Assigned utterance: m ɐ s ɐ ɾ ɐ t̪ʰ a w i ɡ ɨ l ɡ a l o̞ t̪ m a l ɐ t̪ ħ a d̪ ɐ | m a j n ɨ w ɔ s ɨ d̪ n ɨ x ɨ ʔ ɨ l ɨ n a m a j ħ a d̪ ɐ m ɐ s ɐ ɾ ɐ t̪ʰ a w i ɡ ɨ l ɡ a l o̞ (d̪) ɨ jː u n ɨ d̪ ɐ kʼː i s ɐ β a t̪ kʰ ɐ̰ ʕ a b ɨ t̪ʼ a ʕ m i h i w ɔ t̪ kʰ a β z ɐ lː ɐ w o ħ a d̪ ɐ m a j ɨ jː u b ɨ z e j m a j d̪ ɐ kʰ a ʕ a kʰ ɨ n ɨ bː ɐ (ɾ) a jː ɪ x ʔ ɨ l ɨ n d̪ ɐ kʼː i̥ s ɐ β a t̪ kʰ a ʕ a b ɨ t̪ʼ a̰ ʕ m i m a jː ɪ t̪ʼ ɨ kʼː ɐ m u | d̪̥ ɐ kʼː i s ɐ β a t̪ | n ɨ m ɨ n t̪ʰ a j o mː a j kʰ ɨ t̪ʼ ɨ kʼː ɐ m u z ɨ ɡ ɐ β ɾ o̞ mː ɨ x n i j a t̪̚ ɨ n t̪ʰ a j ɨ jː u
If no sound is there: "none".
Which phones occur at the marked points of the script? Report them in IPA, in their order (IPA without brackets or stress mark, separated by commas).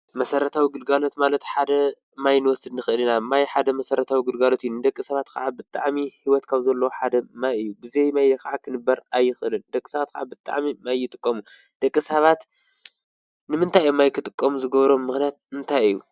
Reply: t̪, ɾ